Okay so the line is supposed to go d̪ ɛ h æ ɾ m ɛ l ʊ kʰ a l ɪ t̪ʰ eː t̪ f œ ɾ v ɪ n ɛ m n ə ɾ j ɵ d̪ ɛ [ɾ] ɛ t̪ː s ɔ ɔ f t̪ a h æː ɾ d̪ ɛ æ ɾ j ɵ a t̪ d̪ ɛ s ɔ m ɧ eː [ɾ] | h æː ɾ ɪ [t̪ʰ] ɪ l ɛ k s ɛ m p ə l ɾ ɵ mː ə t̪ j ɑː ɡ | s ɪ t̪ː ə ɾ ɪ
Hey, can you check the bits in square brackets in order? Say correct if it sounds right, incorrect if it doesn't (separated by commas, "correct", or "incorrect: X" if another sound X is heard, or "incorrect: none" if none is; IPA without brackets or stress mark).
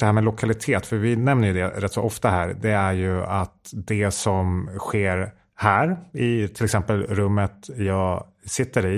correct, correct, correct